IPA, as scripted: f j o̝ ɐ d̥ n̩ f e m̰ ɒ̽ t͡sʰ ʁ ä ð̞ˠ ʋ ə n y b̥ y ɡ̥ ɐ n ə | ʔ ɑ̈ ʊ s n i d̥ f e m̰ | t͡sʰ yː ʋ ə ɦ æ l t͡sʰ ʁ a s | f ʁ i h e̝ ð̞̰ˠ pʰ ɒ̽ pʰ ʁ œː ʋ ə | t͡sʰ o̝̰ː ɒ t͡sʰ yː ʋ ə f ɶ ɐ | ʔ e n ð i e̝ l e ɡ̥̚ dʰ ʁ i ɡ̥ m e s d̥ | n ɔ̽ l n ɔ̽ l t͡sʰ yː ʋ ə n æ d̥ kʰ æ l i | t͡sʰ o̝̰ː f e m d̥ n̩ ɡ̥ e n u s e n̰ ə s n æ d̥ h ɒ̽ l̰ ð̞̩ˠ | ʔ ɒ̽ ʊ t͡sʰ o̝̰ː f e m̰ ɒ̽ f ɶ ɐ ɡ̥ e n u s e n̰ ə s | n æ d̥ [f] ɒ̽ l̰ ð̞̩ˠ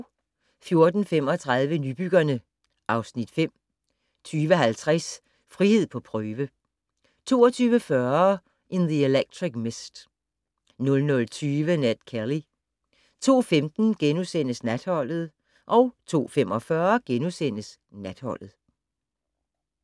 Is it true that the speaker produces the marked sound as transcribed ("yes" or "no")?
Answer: no